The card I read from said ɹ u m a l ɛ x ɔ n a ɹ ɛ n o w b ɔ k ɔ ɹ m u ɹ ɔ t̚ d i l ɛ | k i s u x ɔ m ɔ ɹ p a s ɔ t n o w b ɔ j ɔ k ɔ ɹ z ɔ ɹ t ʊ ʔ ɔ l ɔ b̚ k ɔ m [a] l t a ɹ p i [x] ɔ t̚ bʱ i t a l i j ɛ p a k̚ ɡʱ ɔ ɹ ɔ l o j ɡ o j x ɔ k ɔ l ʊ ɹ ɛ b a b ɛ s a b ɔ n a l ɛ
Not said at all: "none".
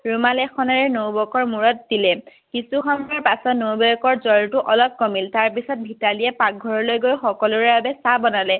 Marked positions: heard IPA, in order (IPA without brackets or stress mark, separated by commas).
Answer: i, s